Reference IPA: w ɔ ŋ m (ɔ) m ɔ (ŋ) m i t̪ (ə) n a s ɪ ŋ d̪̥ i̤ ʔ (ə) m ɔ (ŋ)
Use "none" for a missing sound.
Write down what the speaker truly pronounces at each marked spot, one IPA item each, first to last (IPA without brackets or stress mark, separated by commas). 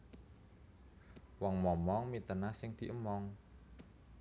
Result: ɔ, ŋ, ə, ə, ŋ